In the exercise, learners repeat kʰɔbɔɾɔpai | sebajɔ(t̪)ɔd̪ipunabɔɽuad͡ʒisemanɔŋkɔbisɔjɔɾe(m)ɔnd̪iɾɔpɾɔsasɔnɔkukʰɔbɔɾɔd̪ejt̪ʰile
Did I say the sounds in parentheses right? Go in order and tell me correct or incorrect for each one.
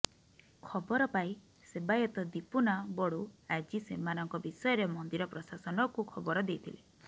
correct, correct

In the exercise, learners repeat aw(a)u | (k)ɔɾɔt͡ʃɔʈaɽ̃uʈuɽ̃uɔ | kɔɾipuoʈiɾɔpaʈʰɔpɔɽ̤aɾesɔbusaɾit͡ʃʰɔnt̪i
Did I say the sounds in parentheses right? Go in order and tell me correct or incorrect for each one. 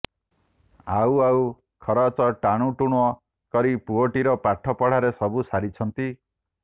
correct, incorrect: kʰ

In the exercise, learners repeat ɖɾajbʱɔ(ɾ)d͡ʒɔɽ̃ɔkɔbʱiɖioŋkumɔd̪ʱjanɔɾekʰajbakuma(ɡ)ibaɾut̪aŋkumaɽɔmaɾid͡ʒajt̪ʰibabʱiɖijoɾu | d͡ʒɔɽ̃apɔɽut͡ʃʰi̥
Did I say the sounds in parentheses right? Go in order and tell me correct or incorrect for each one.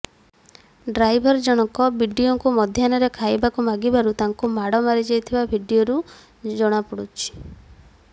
correct, correct

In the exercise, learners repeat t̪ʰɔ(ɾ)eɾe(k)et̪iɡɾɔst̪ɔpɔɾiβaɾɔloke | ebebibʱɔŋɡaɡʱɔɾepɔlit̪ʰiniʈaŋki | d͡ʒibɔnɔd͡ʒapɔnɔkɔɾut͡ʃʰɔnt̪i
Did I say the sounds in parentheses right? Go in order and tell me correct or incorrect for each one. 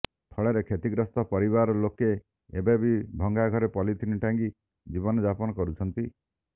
incorrect: ɭ, incorrect: kʰ

